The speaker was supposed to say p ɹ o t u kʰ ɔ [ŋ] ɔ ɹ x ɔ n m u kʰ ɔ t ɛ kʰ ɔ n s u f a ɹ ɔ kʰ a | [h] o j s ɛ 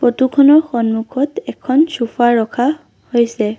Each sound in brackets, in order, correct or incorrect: incorrect: n, correct

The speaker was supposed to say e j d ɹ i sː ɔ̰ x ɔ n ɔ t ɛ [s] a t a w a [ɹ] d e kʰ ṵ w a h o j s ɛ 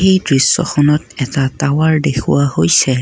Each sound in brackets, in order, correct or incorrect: incorrect: t, correct

